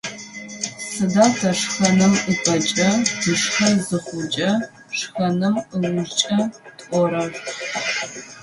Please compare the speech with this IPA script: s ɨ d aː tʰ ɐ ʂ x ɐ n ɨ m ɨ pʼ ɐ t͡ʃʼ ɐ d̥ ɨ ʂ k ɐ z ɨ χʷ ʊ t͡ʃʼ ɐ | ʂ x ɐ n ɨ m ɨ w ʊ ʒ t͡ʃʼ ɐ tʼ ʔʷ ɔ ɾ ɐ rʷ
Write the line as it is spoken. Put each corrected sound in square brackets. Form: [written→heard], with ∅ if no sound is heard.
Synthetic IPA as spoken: s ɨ d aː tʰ ɐ ʂ x ɐ n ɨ m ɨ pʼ ɐ t͡ʃʼ ɐ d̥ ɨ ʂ [k→x] ɐ z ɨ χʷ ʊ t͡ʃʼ ɐ | ʂ x ɐ n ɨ m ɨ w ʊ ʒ t͡ʃʼ ɐ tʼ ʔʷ ɔ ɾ ɐ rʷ